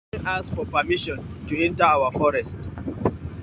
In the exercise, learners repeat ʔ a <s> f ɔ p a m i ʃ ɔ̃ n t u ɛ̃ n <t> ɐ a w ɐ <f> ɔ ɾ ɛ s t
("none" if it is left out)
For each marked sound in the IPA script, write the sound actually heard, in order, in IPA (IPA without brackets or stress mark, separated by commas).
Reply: s, t, f